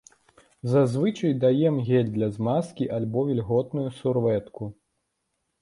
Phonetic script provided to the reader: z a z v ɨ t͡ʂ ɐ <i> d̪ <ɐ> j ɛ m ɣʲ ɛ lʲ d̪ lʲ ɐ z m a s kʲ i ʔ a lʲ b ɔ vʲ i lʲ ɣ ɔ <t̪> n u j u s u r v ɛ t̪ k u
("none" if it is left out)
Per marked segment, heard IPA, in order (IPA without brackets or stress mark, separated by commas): j, a, t̪